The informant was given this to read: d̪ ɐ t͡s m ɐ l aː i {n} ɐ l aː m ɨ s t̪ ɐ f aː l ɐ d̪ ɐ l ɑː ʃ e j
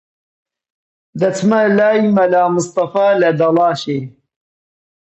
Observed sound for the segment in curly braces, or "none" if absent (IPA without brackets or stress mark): m